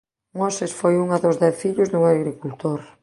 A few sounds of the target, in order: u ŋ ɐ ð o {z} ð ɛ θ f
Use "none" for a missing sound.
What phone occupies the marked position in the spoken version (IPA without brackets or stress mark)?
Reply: z